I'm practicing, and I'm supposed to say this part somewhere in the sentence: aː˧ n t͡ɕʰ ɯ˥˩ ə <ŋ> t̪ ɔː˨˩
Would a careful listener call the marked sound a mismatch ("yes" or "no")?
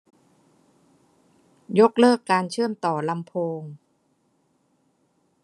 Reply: yes